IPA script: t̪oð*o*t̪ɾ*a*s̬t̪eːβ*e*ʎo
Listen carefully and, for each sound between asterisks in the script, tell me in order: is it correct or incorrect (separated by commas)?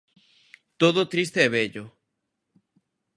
correct, incorrect, correct